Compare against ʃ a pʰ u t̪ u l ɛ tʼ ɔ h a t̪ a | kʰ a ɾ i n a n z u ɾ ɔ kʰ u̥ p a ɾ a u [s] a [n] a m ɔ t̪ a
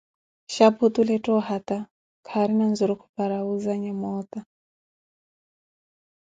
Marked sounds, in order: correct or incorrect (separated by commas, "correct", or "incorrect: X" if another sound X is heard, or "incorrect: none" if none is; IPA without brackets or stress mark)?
incorrect: z, incorrect: ɲ